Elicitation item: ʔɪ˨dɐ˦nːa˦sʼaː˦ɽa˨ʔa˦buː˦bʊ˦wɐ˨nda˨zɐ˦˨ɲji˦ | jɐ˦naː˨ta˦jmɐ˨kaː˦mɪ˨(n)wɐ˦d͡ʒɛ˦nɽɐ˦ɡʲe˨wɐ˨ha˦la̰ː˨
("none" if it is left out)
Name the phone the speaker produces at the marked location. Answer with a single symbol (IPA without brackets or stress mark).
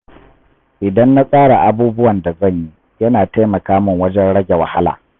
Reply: ŋ